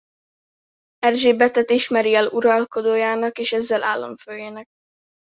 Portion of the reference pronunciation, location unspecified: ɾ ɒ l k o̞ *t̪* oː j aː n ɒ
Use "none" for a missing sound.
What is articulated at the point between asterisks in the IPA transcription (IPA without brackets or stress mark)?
d̪